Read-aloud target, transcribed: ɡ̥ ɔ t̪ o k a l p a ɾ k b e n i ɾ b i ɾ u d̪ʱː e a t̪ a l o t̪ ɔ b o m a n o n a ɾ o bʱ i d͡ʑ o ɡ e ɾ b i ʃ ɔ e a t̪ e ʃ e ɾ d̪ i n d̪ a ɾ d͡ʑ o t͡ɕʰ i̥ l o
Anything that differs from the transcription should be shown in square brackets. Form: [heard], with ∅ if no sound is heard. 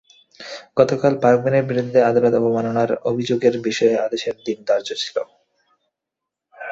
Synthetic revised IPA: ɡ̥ ɔ t̪ o k a l p a ɾ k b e n [e] ɾ b i ɾ u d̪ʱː e a [d̪] a l o t̪ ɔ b o m a n o n a ɾ o bʱ i d͡ʑ o ɡ e ɾ b i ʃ ɔ e a [d̪] e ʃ e ɾ d̪ i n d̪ a ɾ d͡ʑ o t͡ɕʰ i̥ l o

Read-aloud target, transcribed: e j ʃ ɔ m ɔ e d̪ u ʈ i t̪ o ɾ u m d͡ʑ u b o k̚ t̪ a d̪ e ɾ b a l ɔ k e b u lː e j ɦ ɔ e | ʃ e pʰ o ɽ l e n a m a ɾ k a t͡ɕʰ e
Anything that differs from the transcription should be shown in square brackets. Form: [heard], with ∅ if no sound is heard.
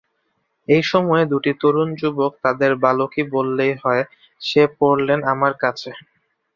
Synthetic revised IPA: e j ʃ ɔ m ɔ e d̪ u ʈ i t̪ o ɾ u [n] d͡ʑ u b o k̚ t̪ a d̪ e ɾ b a l [o] k [i] b [o] lː e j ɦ ɔ e | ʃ e [p] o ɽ l e n a m a ɾ k a t͡ɕʰ e

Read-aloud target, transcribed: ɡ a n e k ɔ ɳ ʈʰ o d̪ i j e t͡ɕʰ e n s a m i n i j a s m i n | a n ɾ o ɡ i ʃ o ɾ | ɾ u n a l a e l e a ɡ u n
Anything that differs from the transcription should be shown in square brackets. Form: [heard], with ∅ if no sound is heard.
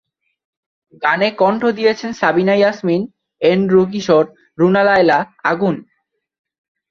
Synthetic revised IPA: ɡ a n e k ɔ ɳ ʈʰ o d̪ i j e t͡ɕʰ e n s a [b] i n [a] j a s m i n | [e] n ɾ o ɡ i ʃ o ɾ | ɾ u n a l a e l [a] a ɡ u n

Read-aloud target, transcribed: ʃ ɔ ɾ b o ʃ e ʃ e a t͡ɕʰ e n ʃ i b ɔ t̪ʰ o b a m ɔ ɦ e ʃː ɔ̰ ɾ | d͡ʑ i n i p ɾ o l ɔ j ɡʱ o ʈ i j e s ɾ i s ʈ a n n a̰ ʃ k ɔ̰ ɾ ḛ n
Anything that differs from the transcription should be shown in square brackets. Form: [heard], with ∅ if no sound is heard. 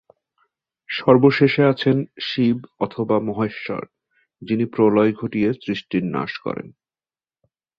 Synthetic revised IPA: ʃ ɔ ɾ b o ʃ e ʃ e a t͡ɕʰ e n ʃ i b ɔ t̪ʰ o b a m ɔ ɦ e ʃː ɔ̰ ɾ | d͡ʑ i n i p ɾ o l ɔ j ɡʱ o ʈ i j e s ɾ i [ʃ] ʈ [i] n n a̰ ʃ k ɔ̰ ɾ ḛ n

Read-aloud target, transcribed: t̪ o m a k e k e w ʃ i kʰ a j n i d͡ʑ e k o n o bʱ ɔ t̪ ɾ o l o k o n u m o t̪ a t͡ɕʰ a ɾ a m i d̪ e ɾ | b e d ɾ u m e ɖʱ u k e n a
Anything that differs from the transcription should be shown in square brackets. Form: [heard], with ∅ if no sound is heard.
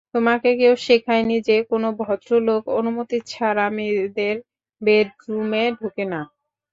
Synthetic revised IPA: t̪ o m a k e k e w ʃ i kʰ a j n i d͡ʑ e k o n o bʱ ɔ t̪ ɾ o l o k o n u m o t̪ [i] t͡ɕʰ a ɾ a m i d̪ e ɾ | b e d ɾ u m e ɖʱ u k e n a

